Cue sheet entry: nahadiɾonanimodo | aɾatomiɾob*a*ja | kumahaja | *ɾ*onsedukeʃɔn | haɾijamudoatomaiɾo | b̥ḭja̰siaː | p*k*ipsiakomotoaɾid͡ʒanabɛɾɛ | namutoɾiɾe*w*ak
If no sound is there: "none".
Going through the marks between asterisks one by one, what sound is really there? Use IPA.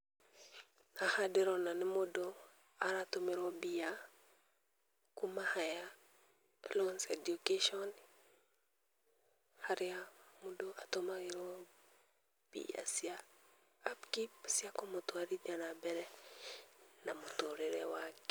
i, l, k, w

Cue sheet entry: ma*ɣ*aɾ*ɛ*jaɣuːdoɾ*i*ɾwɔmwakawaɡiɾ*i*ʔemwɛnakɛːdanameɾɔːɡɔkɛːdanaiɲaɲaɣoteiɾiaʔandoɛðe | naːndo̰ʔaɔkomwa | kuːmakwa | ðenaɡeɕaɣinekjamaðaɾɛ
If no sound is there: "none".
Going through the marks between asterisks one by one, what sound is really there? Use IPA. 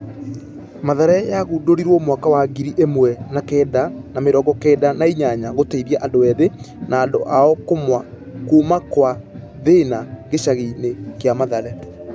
ð, ɛ, i, i

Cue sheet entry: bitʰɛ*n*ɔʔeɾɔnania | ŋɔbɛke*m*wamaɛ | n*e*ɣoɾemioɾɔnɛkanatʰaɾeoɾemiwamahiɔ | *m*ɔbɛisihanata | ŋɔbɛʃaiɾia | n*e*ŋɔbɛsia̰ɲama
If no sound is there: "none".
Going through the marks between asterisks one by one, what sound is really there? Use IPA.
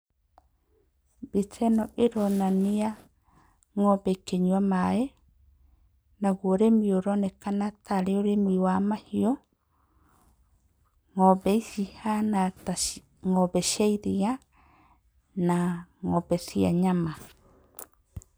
n, ɲ, a, ŋ, a

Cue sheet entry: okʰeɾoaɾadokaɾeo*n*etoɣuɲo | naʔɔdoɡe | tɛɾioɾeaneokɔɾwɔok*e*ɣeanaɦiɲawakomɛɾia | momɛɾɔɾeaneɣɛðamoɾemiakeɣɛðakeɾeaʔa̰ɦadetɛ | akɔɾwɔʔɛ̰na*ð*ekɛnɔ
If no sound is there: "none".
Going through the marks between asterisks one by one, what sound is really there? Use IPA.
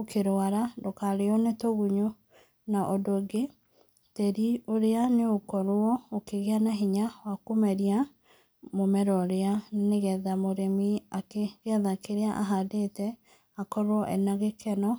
n, e, ɣ

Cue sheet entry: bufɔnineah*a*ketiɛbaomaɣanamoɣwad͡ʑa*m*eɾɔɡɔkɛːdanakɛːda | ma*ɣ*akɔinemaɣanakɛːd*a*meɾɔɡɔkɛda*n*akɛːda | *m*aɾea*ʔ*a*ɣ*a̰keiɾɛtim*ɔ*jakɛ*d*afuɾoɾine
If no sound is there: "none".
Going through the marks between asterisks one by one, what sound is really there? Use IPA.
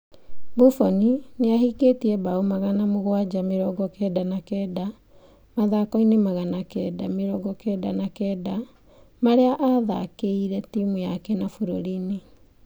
i, m, ð, a, n, m, ʔ, ð, u, n

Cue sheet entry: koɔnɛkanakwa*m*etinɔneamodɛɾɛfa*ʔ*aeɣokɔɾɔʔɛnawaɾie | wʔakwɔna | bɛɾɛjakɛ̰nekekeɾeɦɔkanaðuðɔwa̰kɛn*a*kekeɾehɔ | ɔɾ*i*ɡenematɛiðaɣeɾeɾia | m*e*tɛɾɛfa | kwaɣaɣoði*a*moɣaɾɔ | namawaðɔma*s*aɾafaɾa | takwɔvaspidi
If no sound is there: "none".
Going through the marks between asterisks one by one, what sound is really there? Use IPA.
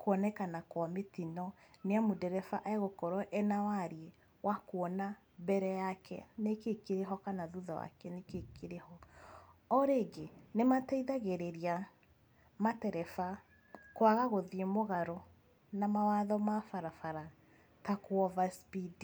m, ʔ, e, e, a, e, f

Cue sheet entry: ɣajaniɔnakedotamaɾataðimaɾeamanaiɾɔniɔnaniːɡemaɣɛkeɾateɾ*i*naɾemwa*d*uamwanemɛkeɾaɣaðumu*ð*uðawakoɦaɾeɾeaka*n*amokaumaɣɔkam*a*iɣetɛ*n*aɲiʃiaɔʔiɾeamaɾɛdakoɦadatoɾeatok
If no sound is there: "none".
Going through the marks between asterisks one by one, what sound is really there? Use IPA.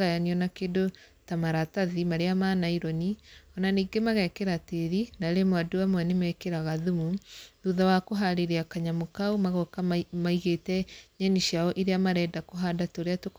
i, d, ð, ɲ, a, ɲ

